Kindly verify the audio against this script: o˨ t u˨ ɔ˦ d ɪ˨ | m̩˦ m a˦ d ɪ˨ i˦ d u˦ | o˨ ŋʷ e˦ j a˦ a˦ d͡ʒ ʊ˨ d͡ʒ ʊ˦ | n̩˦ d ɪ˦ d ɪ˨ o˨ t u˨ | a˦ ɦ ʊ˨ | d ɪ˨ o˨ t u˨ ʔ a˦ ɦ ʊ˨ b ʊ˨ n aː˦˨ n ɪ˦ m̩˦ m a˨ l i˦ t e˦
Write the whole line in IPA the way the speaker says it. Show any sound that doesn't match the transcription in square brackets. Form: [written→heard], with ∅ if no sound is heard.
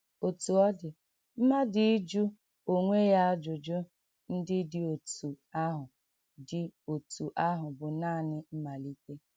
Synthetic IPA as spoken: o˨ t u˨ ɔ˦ d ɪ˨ | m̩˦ m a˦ d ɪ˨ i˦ [d→d͡ʒ] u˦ | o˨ ŋʷ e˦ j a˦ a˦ d͡ʒ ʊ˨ d͡ʒ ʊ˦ | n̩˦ d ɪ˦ d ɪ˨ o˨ t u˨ | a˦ ɦ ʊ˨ | d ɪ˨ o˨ t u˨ ʔ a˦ ɦ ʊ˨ b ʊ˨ n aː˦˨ n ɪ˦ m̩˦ m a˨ l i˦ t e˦